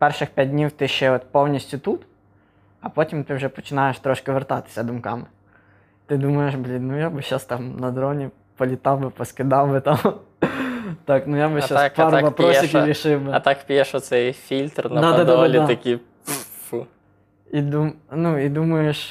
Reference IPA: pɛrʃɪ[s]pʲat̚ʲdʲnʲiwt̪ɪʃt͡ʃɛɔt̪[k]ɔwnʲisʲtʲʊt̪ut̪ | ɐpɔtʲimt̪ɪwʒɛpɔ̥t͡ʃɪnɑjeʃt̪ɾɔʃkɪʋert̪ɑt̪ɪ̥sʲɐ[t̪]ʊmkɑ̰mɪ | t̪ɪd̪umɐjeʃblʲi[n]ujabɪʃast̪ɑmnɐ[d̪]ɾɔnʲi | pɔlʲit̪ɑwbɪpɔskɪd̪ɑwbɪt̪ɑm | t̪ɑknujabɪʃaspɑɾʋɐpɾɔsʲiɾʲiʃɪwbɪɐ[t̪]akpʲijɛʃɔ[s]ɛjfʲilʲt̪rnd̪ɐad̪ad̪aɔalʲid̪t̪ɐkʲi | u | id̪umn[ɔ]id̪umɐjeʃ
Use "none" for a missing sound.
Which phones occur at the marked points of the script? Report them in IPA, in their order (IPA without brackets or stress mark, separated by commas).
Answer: x, p, d̪, n, d̪, t̪, s, u